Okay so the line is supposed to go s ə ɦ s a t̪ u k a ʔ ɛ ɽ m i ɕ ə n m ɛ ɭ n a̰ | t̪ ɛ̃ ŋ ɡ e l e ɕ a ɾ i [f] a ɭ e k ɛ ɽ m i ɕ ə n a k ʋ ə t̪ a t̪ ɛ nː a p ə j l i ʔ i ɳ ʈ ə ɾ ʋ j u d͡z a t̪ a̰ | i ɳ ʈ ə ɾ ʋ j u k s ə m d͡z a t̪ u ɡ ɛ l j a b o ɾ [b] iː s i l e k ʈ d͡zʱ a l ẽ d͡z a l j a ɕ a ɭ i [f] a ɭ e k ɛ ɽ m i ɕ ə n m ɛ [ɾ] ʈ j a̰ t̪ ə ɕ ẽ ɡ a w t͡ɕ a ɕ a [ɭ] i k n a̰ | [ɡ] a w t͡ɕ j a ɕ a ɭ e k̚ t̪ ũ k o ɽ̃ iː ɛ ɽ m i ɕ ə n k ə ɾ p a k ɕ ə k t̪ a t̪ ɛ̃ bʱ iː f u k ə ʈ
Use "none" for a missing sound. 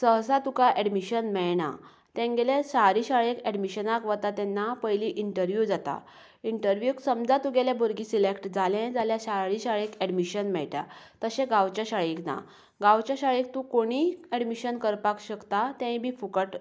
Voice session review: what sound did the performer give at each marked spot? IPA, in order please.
ɕ, ɡ, ɕ, ɭ, ɭ, ɡ

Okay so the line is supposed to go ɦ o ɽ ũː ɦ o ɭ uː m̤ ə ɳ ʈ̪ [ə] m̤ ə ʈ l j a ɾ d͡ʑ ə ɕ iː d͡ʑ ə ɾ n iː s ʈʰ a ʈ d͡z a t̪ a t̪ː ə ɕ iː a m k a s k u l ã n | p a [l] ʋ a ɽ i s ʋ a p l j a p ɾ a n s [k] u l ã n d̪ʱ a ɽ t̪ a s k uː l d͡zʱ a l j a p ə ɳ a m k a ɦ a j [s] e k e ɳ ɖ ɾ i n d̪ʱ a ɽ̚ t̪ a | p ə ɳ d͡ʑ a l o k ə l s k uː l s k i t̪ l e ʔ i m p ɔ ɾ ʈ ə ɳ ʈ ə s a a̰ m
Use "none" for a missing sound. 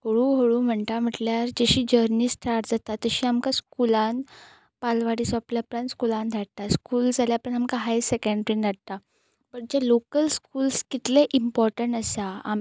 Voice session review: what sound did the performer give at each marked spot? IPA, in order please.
a, l, k, s

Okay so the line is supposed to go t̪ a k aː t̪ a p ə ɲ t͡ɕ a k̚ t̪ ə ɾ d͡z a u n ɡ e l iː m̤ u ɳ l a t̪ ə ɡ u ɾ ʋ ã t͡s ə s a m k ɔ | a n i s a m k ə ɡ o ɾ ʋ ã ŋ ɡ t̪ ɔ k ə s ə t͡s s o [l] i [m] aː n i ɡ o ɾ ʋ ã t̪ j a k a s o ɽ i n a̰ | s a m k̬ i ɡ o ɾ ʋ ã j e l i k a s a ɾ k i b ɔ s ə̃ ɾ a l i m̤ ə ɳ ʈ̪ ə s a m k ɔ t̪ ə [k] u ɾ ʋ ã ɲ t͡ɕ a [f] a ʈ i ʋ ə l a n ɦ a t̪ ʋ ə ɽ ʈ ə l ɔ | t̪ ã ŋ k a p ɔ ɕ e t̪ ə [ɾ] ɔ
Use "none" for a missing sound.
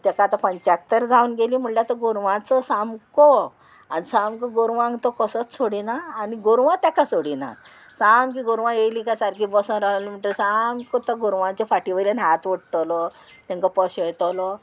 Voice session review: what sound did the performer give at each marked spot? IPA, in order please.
ɽ, n, ɡ, f, l

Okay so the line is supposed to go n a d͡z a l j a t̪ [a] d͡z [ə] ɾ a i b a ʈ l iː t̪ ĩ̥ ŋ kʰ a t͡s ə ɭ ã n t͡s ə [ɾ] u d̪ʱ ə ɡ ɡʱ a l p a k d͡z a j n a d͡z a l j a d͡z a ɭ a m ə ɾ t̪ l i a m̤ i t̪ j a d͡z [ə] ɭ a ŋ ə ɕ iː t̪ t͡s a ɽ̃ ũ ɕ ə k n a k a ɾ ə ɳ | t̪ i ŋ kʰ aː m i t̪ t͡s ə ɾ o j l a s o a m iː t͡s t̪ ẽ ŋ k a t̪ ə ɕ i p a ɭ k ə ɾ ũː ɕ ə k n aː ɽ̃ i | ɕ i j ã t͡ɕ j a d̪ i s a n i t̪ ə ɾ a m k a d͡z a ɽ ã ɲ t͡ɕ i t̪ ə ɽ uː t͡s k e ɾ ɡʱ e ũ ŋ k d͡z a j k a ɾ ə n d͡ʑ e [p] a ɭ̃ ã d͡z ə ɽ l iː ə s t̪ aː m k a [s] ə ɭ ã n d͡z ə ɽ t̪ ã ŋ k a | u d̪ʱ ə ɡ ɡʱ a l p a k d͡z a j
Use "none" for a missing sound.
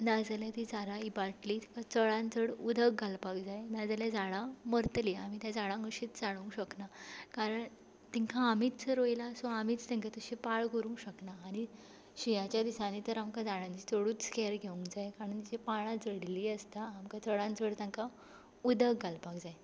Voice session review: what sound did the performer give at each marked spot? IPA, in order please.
i, a, ɽ, a, p, t͡s

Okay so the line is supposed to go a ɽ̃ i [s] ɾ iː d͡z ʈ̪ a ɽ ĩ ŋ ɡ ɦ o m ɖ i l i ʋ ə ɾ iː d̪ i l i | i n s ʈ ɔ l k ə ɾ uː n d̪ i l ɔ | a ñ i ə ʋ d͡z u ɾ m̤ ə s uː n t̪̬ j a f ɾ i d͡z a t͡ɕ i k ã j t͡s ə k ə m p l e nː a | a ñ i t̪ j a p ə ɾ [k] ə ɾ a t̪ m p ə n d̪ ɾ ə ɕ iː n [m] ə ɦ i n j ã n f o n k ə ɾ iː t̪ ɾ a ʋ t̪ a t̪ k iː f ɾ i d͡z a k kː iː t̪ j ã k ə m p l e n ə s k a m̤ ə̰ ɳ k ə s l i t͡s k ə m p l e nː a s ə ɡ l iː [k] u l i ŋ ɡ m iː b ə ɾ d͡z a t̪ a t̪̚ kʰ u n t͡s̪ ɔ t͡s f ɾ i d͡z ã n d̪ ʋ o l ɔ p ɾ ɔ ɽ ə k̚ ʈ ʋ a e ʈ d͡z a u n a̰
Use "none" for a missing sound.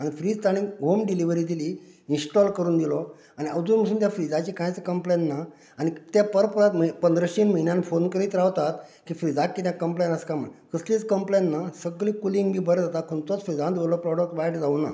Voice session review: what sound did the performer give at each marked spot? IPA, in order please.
f, p, m, k

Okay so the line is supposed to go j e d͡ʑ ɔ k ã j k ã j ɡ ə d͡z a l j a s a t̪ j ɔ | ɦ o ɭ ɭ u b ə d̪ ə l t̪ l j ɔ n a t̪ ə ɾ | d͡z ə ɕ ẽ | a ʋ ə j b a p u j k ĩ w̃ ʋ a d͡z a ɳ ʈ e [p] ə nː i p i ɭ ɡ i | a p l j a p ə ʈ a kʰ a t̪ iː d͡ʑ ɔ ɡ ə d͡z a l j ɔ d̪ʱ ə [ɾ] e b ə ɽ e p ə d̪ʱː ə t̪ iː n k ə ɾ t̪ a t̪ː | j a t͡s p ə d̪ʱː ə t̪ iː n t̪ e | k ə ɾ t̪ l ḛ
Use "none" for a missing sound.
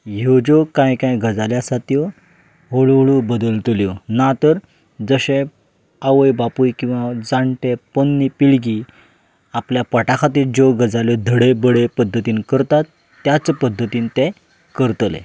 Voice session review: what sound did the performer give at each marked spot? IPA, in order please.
p, ɽ

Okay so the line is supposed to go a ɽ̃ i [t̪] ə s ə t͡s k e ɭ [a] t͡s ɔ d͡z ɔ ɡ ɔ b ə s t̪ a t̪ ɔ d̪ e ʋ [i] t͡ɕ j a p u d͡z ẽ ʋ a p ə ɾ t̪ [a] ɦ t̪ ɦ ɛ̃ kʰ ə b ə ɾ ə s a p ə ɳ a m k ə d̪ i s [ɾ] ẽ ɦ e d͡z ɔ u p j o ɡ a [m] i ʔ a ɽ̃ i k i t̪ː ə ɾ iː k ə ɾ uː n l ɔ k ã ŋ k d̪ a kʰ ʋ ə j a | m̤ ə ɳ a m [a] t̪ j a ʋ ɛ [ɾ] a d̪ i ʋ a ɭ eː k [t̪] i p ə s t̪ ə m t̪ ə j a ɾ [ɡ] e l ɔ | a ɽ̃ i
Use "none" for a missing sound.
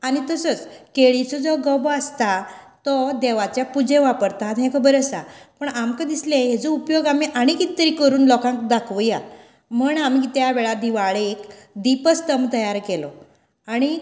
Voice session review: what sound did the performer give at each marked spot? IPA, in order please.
t̪, i, a, a, l, m, i, ɭ, d̪, k

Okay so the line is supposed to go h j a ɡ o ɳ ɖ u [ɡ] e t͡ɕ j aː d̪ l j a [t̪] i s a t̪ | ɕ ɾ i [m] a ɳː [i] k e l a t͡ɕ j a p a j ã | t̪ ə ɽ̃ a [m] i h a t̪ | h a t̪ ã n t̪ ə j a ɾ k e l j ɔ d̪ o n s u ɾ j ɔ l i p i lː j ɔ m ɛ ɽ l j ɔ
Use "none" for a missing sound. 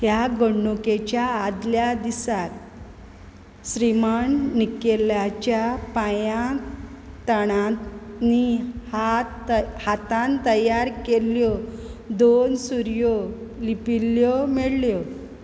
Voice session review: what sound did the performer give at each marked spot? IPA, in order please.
k, d̪, m, i, n

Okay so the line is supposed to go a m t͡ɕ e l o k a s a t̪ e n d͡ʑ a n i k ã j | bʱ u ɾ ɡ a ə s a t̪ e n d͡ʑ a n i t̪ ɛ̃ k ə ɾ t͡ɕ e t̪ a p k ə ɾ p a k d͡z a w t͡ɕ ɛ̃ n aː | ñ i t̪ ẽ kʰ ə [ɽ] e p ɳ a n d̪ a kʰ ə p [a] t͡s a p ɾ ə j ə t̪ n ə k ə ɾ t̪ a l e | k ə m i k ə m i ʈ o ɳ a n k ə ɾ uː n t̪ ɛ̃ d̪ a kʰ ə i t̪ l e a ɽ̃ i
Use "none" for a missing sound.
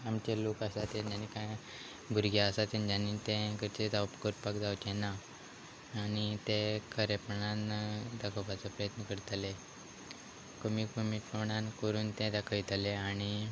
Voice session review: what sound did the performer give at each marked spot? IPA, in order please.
ɾ, a

